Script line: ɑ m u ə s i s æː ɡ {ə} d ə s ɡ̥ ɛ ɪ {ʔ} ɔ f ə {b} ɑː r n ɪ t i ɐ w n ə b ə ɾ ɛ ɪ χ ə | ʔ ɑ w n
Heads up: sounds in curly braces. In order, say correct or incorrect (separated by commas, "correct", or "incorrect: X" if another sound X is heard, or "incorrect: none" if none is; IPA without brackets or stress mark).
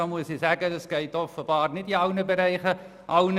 correct, incorrect: t, correct